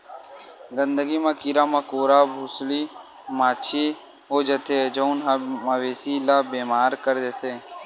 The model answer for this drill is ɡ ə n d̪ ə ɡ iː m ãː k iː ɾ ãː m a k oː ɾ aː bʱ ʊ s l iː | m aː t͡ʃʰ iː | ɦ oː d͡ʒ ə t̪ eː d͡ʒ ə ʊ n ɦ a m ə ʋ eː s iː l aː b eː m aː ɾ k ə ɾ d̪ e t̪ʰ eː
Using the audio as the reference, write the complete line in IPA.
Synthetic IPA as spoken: ɡ ə n d̪ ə ɡ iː m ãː k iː ɾ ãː m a k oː ɾ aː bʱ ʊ s l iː | m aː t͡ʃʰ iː | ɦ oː d͡ʒ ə t̪ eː d͡ʒ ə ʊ n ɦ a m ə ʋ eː s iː l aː b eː m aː ɾ k ə ɾ d̪ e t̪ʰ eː